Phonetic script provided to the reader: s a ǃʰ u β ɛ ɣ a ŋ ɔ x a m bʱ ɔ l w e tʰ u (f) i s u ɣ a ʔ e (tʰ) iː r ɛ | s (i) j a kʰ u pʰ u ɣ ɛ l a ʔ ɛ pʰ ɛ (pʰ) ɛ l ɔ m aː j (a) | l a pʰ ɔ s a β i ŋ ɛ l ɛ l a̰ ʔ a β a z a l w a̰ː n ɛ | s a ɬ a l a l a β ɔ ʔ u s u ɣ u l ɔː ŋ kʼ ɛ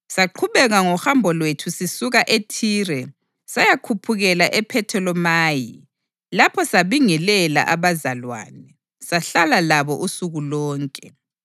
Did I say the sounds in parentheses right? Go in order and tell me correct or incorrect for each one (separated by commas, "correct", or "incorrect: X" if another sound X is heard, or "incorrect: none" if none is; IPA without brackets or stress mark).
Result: incorrect: s, correct, incorrect: a, incorrect: tʰ, incorrect: i